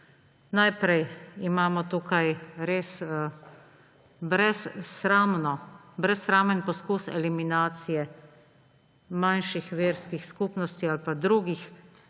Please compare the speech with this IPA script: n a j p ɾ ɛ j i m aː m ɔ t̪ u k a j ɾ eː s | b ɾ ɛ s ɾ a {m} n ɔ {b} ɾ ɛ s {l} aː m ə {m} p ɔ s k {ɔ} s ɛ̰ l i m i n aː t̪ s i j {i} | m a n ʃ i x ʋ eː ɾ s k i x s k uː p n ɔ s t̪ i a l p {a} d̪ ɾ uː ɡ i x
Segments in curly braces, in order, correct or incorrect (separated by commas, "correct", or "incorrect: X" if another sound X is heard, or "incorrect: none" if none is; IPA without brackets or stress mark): correct, correct, incorrect: ɾ, incorrect: n, incorrect: u, incorrect: ɛ, correct